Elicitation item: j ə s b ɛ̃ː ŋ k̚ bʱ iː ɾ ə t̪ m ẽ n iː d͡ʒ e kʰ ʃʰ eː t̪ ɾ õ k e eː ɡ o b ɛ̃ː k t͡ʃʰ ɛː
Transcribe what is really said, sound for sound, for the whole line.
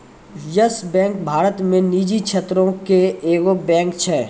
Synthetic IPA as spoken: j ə s b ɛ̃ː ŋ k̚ bʱ aː ɾ ə t̪ m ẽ n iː d͡ʒ i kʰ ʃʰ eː t̪ ɾ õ k e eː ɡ o b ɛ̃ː k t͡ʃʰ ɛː